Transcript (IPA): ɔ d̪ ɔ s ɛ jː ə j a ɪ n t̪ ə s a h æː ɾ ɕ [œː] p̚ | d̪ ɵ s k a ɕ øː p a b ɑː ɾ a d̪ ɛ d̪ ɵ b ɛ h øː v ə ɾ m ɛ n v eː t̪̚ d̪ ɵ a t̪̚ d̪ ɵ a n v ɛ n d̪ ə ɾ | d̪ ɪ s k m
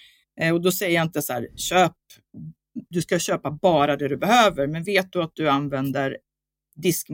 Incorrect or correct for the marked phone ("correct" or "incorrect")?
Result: incorrect